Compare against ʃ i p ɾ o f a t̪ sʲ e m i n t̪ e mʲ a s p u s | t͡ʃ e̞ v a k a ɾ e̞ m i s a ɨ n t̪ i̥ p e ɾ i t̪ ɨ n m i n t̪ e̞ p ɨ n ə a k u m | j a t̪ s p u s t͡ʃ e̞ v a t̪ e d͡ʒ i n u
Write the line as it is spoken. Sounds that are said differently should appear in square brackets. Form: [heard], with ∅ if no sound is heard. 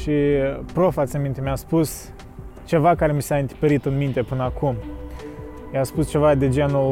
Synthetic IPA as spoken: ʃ i p ɾ o f a t̪ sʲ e m i n t̪ e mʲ a s p u s | t͡ʃ e̞ v a k a ɾ e̞ m i s a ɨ n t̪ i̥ p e ɾ i t̪ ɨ n m i n t̪ e̞ p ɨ n ə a k u m | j a [∅] s p u s t͡ʃ e̞ v a [d̪] e d͡ʒ [e] n u